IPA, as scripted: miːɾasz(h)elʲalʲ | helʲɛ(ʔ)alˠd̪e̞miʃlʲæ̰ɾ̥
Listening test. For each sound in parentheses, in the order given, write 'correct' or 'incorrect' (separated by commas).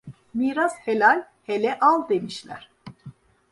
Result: correct, correct